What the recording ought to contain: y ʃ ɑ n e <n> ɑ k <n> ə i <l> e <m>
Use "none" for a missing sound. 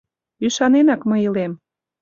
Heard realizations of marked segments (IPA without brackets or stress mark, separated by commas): n, m, l, m